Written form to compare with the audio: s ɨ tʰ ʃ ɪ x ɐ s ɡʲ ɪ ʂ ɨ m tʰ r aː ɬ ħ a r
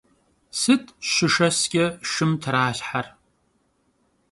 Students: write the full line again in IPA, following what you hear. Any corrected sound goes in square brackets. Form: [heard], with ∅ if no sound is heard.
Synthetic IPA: s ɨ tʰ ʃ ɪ [ʂ] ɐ s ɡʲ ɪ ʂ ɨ m tʰ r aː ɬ ħ a r